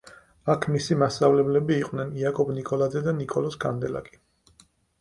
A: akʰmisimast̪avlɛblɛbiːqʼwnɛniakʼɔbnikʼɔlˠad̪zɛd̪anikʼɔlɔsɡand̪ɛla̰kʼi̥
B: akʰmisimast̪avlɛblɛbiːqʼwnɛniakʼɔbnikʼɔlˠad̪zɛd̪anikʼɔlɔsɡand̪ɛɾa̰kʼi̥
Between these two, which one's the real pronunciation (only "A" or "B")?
A